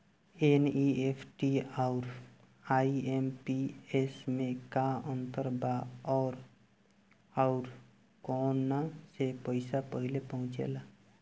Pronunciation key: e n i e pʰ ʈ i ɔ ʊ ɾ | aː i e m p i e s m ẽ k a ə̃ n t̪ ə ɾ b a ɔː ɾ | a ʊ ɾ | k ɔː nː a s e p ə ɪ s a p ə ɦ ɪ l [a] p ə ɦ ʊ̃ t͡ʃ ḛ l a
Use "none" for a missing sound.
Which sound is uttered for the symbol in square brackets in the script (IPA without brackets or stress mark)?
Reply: e